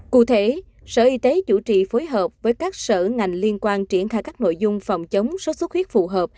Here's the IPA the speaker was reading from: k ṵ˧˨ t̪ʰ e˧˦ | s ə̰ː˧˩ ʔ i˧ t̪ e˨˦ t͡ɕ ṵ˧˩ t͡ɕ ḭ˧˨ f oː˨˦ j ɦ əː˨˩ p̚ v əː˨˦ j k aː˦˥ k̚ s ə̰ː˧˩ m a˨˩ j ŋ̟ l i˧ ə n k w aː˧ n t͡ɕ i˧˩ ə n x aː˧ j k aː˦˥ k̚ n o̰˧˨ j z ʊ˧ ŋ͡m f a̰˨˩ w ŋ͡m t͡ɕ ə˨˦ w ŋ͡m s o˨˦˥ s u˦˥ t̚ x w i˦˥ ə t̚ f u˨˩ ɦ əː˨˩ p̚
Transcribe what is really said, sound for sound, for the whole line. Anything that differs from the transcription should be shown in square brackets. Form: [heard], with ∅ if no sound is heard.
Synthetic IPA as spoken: k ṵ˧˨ t̪ʰ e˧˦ | s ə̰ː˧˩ ʔ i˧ t̪ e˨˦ t͡ɕ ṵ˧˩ t͡ɕ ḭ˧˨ f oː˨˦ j ɦ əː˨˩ p̚ v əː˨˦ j k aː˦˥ k̚ s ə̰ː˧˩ [ŋ] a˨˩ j ŋ̟ l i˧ ə n k w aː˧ n t͡ɕ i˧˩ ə n x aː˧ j k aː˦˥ k̚ n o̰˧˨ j z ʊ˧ ŋ͡m f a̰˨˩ w ŋ͡m t͡ɕ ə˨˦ w ŋ͡m s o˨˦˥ s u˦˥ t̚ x w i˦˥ ə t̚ f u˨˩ ɦ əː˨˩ p̚